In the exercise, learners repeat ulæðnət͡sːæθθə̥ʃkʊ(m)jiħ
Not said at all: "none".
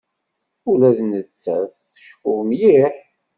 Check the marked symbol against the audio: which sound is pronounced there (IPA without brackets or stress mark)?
m